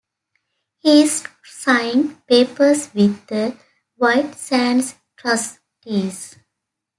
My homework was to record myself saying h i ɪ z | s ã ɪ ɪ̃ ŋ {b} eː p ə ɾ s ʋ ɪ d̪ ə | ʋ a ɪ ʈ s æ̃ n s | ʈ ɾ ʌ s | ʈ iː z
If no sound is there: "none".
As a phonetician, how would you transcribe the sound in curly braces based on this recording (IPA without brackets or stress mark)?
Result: p